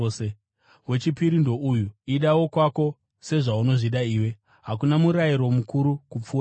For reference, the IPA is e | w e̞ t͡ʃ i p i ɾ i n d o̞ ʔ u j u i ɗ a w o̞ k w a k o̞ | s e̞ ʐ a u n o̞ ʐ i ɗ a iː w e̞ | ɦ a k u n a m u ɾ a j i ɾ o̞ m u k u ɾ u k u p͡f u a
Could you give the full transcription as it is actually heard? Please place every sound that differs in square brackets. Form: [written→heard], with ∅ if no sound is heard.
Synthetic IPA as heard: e | w e̞ t͡ʃ i p i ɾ i n d o̞ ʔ u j u i ɗ a w o̞ k w a k o̞ | s e̞ ʐ a u n o̞ ʐ i ɗ a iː w e̞ | ɦ a k u n a m u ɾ a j i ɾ o̞ m u k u ɾ u k u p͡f u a